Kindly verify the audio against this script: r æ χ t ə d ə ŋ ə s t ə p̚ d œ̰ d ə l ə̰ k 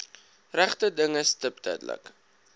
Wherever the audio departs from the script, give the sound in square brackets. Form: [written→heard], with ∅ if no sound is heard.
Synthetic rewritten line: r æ χ t ə d ə ŋ ə s t ə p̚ d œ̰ d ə l ə̰ k